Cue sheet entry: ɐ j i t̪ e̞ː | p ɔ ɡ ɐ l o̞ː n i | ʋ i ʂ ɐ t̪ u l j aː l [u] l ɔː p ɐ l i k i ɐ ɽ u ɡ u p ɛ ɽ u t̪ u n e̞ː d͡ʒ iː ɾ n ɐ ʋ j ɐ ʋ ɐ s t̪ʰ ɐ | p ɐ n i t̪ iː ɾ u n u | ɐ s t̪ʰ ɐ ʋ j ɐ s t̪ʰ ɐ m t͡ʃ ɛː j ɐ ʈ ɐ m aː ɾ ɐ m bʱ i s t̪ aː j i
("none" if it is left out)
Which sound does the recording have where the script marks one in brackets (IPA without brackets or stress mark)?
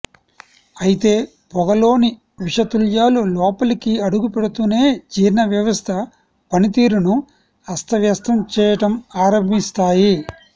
u